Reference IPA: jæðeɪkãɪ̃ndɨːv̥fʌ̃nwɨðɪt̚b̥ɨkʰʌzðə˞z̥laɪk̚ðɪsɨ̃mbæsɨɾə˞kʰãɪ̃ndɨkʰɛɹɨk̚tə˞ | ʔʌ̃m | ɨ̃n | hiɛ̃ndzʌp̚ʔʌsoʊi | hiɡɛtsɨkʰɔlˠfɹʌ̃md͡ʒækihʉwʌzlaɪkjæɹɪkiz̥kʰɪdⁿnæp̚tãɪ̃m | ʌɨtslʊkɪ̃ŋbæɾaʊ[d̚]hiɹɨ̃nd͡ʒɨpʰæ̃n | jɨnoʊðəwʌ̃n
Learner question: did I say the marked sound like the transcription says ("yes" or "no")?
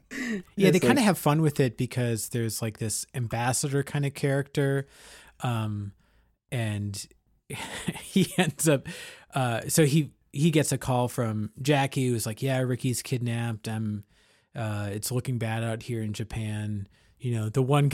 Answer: no